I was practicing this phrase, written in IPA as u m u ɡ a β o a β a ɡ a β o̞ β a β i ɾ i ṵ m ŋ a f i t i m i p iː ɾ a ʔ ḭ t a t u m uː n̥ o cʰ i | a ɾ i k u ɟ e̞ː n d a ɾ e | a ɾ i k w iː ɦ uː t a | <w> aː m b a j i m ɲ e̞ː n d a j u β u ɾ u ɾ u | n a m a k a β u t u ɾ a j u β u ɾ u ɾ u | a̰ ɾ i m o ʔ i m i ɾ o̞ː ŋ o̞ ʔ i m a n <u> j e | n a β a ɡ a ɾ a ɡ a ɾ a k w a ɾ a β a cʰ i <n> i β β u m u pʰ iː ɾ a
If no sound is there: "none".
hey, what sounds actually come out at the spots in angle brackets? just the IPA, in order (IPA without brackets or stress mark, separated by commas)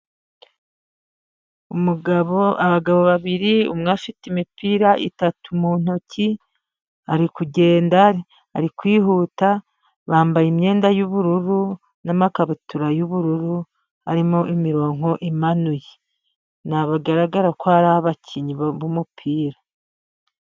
β, u, ɲ